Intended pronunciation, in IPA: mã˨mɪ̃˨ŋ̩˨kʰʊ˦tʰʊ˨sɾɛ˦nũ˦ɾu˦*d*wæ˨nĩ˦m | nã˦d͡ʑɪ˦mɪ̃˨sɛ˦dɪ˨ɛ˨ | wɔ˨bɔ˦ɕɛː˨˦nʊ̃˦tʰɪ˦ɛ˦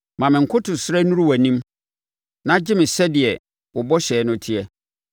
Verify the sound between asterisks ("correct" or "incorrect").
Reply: incorrect